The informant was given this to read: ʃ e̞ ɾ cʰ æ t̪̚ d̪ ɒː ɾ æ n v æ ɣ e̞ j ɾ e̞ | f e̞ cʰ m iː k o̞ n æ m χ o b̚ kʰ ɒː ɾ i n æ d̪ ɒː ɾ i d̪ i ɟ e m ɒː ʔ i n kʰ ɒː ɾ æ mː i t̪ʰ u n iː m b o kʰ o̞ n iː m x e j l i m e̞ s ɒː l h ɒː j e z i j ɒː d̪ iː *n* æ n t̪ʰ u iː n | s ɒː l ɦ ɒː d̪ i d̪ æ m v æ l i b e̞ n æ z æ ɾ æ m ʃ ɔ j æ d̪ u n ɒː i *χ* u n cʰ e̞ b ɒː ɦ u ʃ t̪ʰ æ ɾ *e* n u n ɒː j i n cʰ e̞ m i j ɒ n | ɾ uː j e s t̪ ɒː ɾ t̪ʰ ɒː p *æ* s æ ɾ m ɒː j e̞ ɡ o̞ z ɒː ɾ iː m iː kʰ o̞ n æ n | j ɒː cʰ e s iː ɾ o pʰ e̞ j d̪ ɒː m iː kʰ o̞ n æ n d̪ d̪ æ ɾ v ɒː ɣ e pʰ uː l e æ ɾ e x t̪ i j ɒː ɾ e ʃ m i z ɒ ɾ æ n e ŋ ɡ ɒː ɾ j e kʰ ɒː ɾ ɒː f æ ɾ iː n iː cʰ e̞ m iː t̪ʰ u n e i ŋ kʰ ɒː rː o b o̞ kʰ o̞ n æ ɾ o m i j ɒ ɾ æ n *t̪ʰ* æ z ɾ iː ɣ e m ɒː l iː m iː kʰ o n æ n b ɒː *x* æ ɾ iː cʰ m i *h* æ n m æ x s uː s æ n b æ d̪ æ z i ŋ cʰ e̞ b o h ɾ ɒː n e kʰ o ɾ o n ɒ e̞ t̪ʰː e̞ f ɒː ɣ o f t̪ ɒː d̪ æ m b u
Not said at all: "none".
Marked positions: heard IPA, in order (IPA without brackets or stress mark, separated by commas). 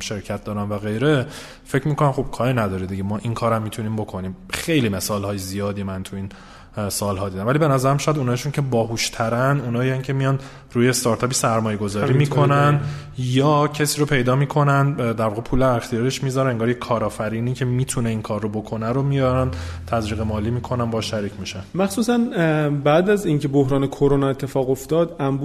m, ʃ, æ, i, t̪ʰ, ʃ, ʃ